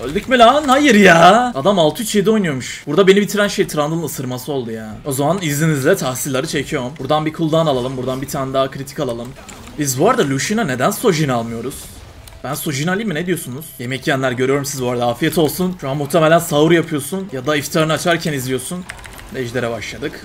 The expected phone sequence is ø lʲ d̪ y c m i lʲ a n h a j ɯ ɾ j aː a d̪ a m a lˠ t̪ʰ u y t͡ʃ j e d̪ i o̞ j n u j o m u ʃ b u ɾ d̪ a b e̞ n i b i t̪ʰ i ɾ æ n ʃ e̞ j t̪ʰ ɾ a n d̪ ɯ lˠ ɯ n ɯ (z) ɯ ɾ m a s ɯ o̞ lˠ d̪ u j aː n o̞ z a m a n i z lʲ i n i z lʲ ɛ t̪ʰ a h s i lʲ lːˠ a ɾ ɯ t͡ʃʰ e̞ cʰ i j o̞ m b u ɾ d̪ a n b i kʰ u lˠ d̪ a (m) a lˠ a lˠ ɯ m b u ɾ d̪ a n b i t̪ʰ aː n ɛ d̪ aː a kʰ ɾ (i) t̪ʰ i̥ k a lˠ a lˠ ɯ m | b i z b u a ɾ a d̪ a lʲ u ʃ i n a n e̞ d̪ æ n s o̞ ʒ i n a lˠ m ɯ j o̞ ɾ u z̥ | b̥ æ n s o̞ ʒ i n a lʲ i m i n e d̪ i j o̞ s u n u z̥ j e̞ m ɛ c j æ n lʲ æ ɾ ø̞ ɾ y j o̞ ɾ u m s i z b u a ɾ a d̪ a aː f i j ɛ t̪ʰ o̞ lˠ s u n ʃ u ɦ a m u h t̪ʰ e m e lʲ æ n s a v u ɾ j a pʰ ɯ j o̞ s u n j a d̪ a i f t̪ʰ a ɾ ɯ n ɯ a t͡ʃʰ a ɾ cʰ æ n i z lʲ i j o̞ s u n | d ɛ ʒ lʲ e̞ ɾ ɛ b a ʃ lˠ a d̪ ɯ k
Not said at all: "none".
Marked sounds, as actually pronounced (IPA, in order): s, n, i

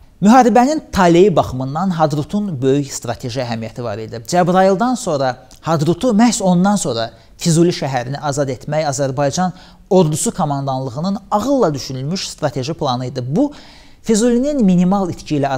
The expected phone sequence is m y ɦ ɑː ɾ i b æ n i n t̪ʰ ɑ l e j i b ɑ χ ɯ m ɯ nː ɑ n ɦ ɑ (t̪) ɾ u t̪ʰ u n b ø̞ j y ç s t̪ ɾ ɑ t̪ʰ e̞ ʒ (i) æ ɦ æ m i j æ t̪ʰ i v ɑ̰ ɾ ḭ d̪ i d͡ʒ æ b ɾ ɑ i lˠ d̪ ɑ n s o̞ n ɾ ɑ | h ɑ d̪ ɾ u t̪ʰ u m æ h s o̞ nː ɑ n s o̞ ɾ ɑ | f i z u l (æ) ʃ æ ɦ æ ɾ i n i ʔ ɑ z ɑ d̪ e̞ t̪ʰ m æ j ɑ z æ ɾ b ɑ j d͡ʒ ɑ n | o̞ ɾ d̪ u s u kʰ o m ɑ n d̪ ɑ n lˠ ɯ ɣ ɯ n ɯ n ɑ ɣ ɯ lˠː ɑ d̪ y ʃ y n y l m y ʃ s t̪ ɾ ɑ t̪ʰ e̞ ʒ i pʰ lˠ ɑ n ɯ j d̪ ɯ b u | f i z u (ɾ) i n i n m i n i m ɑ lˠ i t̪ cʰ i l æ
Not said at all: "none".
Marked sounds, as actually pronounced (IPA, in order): d̪, i, i, l

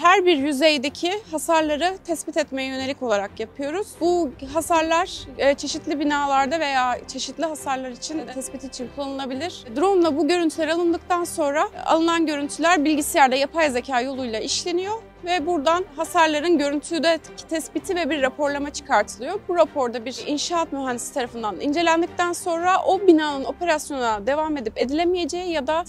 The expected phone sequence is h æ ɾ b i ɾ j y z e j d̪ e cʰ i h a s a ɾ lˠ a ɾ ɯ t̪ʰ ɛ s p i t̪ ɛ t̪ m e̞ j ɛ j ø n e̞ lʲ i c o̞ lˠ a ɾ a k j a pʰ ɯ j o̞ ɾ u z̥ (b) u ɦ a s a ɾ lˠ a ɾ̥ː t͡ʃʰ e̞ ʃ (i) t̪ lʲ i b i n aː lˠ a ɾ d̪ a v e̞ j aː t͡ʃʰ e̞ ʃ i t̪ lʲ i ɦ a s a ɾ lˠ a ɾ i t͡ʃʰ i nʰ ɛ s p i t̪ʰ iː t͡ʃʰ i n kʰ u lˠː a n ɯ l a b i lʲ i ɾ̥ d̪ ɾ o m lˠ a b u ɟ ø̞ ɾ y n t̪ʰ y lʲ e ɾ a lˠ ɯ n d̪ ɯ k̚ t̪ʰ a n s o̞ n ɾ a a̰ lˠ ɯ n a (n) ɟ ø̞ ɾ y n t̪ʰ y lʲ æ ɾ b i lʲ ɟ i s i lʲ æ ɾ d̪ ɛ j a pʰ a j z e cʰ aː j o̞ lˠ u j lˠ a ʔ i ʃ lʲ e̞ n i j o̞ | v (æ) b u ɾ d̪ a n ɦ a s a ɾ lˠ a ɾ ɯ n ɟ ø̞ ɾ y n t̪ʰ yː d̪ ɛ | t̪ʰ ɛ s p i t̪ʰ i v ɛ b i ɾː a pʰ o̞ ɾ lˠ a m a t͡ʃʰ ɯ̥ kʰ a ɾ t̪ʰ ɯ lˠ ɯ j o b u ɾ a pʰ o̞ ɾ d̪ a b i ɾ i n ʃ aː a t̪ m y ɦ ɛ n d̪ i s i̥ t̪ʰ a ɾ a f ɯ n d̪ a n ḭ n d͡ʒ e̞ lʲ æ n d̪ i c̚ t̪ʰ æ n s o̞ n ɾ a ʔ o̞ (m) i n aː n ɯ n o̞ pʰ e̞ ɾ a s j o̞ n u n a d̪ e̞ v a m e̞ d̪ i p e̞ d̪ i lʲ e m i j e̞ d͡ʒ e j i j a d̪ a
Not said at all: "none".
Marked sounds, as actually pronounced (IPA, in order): b, i, n, ɛ, b

